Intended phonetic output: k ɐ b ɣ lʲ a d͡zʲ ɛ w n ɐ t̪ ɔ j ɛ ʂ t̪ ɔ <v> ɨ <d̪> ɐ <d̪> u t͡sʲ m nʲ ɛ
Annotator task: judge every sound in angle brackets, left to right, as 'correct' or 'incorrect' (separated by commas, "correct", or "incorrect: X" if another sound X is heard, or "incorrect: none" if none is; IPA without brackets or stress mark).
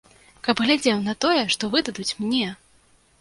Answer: correct, correct, correct